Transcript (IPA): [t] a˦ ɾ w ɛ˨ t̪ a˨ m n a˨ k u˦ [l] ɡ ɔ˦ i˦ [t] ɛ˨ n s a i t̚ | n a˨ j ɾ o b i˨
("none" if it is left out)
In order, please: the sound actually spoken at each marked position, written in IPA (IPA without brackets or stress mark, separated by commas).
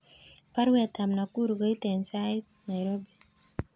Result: p, ɾ, t